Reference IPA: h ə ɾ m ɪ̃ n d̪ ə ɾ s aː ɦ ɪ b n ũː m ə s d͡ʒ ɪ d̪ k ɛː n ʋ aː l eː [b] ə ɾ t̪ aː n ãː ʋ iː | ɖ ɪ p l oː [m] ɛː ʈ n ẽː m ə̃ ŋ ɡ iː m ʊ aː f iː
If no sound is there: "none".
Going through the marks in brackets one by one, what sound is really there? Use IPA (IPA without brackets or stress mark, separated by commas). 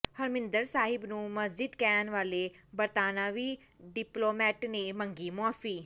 b, m